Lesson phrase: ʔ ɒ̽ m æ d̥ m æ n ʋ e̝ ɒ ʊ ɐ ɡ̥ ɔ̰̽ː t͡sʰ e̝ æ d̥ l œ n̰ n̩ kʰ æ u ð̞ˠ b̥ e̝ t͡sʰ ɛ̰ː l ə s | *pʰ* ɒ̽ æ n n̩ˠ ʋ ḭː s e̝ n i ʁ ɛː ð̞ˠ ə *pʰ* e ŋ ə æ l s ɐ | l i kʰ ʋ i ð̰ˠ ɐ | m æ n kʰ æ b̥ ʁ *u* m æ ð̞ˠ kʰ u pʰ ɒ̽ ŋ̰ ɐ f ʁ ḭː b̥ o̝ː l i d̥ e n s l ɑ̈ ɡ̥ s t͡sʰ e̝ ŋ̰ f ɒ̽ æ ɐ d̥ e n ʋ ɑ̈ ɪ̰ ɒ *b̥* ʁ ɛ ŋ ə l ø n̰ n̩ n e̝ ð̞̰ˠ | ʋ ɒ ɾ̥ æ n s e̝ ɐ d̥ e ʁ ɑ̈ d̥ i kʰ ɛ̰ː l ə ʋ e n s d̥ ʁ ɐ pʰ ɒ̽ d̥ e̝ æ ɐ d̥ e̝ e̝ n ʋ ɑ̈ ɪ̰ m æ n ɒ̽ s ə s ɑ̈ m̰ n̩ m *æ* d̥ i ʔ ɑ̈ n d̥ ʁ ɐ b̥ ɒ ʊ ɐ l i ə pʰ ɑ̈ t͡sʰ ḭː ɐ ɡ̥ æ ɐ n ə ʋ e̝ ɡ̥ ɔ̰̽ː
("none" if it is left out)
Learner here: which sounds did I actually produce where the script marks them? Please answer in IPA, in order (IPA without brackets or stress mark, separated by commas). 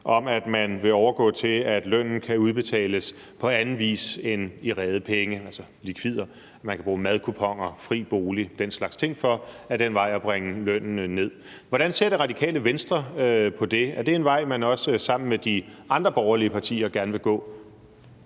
pʰ, pʰ, uː, b̥, e